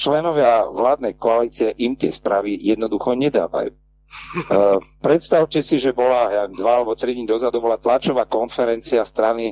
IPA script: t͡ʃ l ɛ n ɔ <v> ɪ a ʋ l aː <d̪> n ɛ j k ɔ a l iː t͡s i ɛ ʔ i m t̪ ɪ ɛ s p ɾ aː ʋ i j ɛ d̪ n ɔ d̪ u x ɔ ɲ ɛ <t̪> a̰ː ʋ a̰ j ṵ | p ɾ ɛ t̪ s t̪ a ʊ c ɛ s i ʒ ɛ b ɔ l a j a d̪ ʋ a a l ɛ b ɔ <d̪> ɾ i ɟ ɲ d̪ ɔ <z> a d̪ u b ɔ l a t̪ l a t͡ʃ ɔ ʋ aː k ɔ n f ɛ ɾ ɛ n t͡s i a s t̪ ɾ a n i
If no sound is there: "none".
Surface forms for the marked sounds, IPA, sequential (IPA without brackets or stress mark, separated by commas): ʋ, d̪, d̪, t̪, z